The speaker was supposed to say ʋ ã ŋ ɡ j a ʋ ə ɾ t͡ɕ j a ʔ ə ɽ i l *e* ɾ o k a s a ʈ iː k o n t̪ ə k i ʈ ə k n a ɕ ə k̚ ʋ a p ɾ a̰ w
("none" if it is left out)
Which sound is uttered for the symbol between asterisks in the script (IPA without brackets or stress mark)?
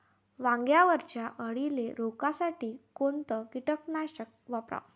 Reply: e